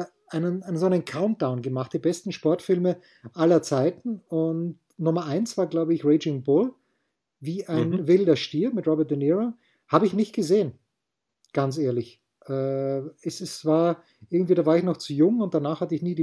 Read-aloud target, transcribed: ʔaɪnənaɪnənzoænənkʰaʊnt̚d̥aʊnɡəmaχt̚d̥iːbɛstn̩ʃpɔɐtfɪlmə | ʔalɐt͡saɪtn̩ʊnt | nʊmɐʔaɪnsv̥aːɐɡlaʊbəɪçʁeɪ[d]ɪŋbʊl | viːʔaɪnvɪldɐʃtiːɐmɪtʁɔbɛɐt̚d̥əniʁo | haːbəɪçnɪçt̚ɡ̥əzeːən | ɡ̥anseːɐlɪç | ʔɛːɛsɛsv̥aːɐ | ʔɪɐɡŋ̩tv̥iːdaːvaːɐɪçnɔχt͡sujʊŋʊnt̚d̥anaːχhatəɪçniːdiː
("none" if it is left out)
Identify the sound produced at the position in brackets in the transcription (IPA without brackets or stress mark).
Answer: d͡ʒ